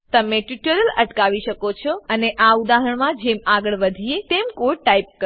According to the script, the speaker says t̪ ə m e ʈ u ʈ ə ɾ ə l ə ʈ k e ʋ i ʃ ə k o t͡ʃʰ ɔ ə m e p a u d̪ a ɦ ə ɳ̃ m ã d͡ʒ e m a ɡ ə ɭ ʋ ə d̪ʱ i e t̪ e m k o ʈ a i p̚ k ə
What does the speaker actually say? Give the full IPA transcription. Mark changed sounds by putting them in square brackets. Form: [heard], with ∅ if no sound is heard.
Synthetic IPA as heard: t̪ ə m e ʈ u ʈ ə ɾ ə l ə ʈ k [a] ʋ i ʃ ə k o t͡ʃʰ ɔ ə [n] e [ʔ] a u d̪ a ɦ ə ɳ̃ m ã d͡ʒ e m a ɡ ə ɭ ʋ ə d̪ʱ i e t̪ e m k o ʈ a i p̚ k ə